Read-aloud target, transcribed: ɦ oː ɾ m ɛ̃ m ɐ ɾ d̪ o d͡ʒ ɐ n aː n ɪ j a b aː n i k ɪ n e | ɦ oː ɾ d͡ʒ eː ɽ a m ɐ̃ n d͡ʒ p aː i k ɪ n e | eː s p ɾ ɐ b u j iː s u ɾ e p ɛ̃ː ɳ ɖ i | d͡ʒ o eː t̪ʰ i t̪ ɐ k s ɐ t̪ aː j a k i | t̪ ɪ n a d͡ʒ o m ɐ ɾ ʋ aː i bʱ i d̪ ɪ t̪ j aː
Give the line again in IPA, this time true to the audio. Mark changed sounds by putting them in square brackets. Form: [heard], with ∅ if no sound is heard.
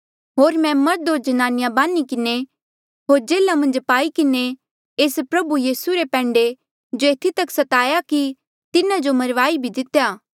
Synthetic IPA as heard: ɦ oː ɾ m ɛ̃ m ɐ ɾ d̪ o d͡ʒ ɐ n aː n ɪ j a b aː n i k ɪ n e | ɦ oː ɾ d͡ʒ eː [l] a m ɐ̃ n d͡ʒ p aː i k ɪ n e | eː s p ɾ ɐ b u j iː s u ɾ e p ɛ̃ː ɳ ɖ [e] | d͡ʒ o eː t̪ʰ i t̪ ɐ k s ɐ t̪ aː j a k i | t̪ ɪ n a d͡ʒ o m ɐ ɾ ʋ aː i bʱ i d̪ ɪ t̪ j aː

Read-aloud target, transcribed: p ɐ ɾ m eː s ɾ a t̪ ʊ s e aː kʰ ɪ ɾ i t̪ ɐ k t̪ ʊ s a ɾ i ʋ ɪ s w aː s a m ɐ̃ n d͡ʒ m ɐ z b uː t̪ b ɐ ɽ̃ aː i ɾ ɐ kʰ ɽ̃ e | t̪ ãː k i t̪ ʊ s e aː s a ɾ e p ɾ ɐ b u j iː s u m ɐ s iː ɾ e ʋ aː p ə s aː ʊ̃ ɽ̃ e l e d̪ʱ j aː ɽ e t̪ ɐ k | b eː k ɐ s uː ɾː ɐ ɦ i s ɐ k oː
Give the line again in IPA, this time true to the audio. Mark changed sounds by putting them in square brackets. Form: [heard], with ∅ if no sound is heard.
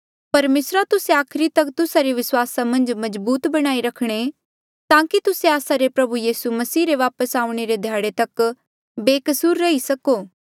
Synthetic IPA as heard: p ɐ ɾ m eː s ɾ a t̪ ʊ s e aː kʰ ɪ ɾ i t̪ ɐ k t̪ ʊ s a ɾ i ʋ ɪ s w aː s a m ɐ̃ n d͡ʒ m ɐ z b uː t̪ b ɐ ɽ̃ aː i ɾ ɐ kʰ ɽ̃ e | t̪ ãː k i t̪ ʊ s e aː s a ɾ e p ɾ ɐ b u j iː s u m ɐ s iː ɾ e ʋ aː p ə s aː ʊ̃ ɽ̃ e [ɾ] e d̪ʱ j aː ɽ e t̪ ɐ k | b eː k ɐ s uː ɾː ɐ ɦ i s ɐ k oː

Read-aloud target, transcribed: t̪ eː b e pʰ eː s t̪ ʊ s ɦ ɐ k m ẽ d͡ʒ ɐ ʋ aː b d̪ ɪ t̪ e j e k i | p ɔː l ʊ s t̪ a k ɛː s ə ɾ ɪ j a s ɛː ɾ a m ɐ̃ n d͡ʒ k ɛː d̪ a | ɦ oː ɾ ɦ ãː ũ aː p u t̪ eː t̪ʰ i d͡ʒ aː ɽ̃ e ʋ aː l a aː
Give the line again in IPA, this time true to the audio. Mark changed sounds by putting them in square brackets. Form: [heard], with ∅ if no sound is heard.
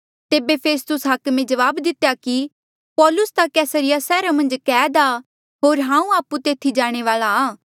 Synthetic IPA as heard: t̪ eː b e pʰ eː s t̪ ʊ s ɦ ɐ k m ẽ d͡ʒ ɐ ʋ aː b d̪ ɪ t̪ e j [a] k i | p ɔː l ʊ s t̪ a k ɛː s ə ɾ ɪ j a s ɛː ɾ a m ɐ̃ n d͡ʒ k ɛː d̪ a | ɦ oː ɾ ɦ ãː ũ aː p u t̪ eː t̪ʰ i d͡ʒ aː ɽ̃ e ʋ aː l a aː

